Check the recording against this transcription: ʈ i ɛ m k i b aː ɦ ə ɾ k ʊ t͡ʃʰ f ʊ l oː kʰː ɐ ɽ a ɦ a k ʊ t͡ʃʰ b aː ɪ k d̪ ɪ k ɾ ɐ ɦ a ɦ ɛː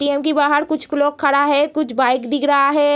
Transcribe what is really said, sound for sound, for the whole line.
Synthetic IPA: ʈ i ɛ m k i b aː ɦ ə ɾ k ʊ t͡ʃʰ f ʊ l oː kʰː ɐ ɽ a ɦ ɛ k ʊ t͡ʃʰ b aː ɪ k d̪ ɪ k ɾ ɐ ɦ a ɦ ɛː